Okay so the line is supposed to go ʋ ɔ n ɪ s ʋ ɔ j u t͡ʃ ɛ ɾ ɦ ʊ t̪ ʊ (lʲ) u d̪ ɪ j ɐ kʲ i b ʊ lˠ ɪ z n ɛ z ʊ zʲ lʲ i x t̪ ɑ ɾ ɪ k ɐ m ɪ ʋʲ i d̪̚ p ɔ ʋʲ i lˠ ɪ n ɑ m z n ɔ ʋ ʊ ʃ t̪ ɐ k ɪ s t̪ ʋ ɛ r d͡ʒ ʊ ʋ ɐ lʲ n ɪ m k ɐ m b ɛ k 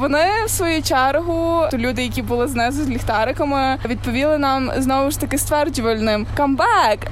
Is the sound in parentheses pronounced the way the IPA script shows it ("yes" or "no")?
yes